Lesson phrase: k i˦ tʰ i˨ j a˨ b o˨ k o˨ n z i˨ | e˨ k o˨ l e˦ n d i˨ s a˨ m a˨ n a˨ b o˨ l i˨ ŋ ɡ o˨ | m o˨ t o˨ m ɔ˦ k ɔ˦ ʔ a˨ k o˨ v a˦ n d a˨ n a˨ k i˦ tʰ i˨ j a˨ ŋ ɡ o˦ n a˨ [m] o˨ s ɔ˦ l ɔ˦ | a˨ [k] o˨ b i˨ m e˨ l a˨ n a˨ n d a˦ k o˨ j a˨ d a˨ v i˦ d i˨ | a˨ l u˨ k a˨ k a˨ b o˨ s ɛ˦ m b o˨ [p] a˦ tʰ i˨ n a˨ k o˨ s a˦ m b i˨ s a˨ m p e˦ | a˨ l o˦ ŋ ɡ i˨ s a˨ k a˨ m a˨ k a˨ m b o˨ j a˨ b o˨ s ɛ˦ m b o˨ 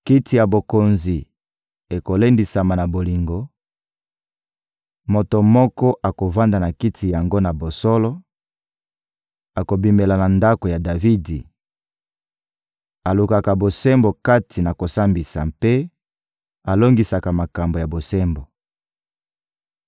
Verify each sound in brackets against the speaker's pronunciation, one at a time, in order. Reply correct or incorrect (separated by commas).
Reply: incorrect, correct, incorrect